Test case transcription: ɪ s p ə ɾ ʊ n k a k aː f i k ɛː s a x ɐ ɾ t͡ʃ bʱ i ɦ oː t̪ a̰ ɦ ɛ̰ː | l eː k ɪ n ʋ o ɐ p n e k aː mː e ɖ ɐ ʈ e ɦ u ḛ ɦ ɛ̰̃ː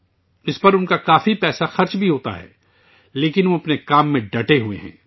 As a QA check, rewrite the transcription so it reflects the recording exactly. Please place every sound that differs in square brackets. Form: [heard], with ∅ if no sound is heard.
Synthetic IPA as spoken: ɪ s p [ɐ] ɾ ʊ n k a k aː f i [p] ɛː s a x ɐ ɾ t͡ʃ bʱ i ɦ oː t̪ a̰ ɦ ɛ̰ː | l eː k ɪ n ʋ o ɐ p n e k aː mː [ẽ] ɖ ɐ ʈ e ɦ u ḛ ɦ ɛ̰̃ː